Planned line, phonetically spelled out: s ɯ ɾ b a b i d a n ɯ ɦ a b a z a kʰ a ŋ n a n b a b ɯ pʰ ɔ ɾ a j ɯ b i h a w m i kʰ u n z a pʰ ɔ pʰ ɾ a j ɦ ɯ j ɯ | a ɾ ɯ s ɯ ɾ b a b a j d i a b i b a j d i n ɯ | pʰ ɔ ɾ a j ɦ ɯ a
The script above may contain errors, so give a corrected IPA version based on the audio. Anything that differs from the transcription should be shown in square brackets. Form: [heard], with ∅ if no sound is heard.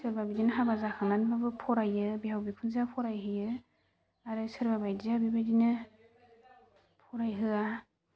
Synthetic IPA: s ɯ ɾ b a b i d [i] n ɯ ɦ a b a z a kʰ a ŋ n a n b a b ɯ pʰ ɔ ɾ a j ɯ b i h a w [b] i kʰ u n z a pʰ ɔ [∅] ɾ a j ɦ ɯ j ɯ | a ɾ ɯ s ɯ ɾ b a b a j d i a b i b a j d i n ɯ | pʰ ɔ ɾ a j ɦ ɯ a